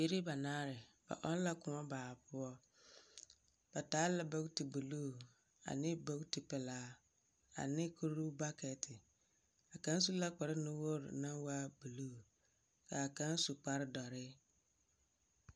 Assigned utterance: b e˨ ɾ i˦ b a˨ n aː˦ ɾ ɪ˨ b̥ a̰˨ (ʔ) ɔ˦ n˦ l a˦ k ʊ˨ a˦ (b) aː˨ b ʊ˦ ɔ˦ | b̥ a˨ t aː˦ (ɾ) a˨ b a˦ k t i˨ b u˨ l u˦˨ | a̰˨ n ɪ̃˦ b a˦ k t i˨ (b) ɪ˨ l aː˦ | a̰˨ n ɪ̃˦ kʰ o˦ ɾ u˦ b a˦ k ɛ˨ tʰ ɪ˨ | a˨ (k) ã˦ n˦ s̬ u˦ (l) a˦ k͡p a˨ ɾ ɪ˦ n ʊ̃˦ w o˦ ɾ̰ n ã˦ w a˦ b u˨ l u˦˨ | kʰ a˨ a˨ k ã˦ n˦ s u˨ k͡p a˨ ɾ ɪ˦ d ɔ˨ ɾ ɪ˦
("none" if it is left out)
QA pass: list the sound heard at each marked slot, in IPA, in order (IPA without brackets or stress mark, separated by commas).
ʔ, b, l, p, k, l